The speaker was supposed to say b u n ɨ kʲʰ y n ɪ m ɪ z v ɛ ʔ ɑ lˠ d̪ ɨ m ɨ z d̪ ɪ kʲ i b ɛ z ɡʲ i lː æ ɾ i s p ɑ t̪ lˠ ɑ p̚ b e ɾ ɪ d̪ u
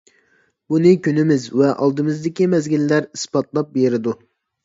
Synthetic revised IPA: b u n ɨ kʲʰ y n ɪ m ɪ z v ɛ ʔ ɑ lˠ d̪ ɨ m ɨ z d̪ ɪ kʲ i m ɛ z ɡʲ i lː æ ɾ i s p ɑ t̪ lˠ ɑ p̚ b e ɾ ɪ d̪ u